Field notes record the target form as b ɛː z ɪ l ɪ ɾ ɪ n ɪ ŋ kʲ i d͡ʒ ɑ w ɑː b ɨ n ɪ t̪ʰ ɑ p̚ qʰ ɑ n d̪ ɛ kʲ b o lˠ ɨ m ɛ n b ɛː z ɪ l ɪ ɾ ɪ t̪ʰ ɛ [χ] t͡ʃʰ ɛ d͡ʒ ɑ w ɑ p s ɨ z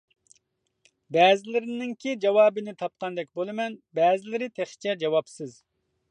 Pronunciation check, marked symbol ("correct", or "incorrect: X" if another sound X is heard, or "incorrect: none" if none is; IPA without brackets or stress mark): correct